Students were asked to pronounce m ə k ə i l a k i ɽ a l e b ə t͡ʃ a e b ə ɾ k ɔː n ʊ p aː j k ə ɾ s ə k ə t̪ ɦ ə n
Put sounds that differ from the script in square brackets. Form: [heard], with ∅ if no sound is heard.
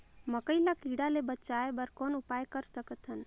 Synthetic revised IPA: m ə k ə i l a k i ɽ a l e b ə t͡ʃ a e b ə ɾ k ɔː n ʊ p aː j k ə ɾ s ə k ə t̪ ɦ ə n